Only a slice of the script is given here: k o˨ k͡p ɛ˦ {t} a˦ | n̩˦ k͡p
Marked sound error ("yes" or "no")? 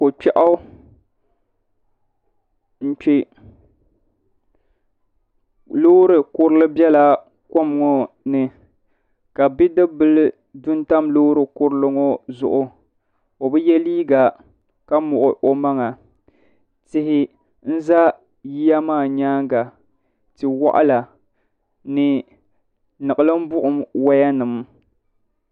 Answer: yes